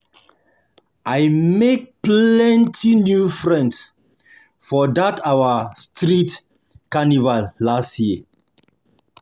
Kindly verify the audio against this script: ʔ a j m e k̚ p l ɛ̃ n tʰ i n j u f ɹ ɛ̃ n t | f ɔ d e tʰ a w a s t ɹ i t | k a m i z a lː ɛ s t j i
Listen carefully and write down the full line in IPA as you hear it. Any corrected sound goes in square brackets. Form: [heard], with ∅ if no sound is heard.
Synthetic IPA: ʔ a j m e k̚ p l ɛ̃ n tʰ i n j u f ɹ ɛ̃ n [s] | f ɔ d [a] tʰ a w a s t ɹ i t | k a [n] i [v] a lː [a] s t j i